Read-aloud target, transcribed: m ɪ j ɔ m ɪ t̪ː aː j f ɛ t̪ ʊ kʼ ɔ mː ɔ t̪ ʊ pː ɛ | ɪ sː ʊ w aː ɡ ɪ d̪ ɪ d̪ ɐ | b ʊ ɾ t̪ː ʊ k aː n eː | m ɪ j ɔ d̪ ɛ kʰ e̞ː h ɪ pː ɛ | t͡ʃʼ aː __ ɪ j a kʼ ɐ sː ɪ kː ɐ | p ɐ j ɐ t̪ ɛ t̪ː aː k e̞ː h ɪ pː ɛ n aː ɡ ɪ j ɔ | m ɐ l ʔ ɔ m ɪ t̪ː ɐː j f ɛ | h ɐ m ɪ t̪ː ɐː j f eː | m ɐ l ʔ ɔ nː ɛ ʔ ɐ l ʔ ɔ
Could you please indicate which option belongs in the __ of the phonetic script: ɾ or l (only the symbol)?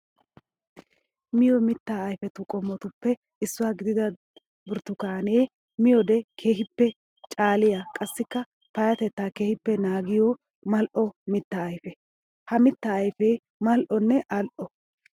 l